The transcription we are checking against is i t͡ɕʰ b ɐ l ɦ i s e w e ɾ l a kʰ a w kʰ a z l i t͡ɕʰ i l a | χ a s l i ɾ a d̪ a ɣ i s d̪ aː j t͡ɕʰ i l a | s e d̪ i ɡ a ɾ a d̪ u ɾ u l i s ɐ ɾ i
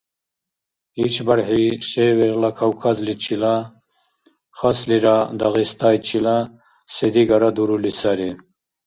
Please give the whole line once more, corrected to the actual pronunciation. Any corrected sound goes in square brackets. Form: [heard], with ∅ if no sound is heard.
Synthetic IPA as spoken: i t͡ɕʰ b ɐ [ɾ] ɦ i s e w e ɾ l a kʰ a w kʰ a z l i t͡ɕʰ i l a | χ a s l i ɾ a d̪ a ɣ i s [t̪] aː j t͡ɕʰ i l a | s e d̪ i ɡ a ɾ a d̪ u ɾ u l i s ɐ ɾ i